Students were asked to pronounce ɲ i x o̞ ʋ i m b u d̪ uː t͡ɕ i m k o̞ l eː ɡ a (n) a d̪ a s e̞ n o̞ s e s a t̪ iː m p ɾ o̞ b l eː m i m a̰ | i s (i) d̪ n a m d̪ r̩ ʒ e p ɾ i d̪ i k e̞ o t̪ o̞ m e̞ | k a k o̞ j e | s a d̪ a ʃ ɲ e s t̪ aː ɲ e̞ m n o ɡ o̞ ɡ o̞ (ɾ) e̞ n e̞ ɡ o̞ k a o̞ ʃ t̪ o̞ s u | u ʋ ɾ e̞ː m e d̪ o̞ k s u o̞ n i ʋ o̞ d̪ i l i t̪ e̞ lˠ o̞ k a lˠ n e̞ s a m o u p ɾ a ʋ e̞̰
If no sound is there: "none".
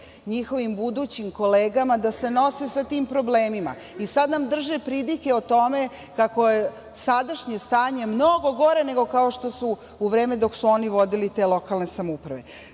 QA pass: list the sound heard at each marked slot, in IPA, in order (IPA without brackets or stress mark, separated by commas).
m, a, ɾ